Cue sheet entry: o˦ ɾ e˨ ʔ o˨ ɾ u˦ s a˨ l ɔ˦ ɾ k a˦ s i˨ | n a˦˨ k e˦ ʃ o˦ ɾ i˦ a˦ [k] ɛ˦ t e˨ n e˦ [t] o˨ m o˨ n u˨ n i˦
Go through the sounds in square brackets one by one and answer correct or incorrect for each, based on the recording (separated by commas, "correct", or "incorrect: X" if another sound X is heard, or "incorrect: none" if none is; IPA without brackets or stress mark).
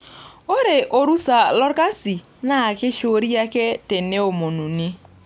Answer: correct, incorrect: none